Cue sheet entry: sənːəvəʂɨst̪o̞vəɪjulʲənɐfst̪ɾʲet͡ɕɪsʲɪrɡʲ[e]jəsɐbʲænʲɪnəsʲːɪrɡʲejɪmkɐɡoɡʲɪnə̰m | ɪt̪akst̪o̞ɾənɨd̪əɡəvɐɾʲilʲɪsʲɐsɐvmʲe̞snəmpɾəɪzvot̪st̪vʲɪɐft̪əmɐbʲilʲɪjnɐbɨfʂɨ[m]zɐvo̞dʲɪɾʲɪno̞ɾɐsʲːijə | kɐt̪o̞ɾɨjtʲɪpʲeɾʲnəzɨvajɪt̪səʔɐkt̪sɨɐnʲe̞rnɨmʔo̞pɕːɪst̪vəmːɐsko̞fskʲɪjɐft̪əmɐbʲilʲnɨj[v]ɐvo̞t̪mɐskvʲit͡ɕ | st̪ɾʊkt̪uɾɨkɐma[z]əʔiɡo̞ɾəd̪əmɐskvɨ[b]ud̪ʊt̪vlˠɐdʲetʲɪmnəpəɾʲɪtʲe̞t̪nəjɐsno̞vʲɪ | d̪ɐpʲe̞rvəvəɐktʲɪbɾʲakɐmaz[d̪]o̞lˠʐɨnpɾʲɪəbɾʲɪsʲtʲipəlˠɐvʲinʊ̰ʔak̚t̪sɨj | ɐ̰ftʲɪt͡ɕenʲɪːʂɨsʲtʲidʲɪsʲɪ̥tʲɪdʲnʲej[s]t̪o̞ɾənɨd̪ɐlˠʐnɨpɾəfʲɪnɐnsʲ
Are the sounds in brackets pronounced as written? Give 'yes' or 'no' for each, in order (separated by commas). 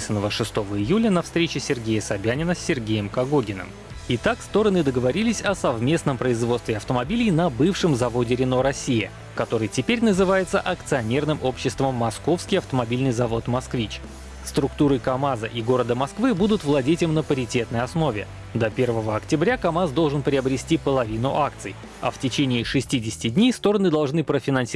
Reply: yes, yes, no, yes, yes, yes, yes